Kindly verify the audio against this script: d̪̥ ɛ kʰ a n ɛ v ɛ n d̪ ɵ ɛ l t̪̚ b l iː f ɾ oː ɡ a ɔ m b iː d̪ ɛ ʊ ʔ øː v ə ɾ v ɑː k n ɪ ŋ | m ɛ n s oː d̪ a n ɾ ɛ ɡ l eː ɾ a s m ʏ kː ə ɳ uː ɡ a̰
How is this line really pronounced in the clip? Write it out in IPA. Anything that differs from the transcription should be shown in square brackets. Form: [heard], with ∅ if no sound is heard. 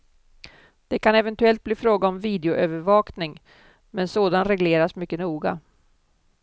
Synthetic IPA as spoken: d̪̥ ɛ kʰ a n ɛ v ɛ n [t̪] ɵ ɛ l t̪̚ b l iː f ɾ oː ɡ a ɔ m [v] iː d̪ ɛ ʊ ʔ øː v ə ɾ v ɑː k n ɪ ŋ | m ɛ n s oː d̪ a n ɾ ɛ ɡ l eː ɾ a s m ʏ kː ə [n] uː ɡ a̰